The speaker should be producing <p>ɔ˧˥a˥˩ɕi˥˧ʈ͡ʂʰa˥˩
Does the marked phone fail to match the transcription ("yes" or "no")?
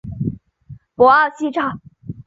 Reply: no